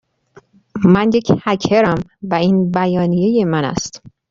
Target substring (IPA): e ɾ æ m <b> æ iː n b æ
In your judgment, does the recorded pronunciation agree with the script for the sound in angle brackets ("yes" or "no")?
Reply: no